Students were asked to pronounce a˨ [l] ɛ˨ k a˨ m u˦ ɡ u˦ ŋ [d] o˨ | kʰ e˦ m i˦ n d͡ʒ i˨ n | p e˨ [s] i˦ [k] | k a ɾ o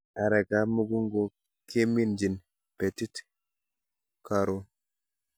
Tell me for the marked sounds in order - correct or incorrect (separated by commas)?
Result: incorrect, incorrect, incorrect, incorrect